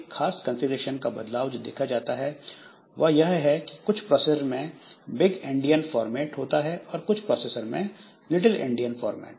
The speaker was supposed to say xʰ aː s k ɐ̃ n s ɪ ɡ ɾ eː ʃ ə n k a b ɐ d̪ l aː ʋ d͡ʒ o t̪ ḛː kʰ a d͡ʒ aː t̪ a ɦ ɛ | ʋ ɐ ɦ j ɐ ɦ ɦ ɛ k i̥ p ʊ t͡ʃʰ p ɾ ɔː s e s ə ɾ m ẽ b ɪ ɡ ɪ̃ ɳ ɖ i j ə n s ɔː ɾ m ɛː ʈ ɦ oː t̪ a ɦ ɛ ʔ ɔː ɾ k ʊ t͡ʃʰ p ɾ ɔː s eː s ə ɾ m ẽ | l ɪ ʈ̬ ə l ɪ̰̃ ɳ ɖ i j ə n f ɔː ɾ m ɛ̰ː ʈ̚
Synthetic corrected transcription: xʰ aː s k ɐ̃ n s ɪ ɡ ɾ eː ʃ ə n k a b ɐ d̪ l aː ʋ d͡ʒ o d̪ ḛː kʰ a d͡ʒ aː t̪ a ɦ ɛ | ʋ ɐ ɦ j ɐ ɦ ɦ ɛ k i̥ k ʊ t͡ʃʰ p ɾ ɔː s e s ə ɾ m ẽ b ɪ ɡ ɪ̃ ɳ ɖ i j ə n f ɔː ɾ m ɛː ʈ ɦ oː t̪ a ɦ ɛ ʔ ɔː ɾ k ʊ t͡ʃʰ p ɾ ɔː s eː s ə ɾ m ẽ | l ɪ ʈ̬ ə l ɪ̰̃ ɳ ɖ i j ə n f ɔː ɾ m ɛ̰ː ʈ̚

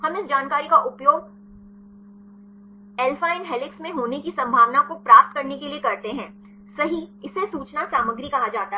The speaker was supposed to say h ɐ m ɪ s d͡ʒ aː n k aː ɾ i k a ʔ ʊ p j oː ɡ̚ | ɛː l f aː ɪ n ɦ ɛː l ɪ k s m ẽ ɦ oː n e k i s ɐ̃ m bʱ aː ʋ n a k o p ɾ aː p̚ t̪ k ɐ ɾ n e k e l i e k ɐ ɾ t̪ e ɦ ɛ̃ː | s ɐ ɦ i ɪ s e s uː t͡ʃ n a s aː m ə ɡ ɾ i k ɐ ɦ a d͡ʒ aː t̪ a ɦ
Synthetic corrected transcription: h ɐ m ɪ s d͡ʒ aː n k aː ɾ i k a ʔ ʊ p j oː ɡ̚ | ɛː l f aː ɪ n ɦ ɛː l ɪ k s m ẽ ɦ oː n e k i s ɐ̃ m bʱ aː ʋ n a k o p ɾ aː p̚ t̪ k ɐ ɾ n e k e l i e k ɐ ɾ t̪ e ɦ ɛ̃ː | s ɐ ɦ i ɪ s e s uː t͡ʃ n a s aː m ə ɡ ɾ i k ɐ ɦ a d͡ʒ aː t̪ a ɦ

